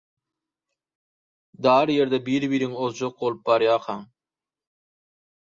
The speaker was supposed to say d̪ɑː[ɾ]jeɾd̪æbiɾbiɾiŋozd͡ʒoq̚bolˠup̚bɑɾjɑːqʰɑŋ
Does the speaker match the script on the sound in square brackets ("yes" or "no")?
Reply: yes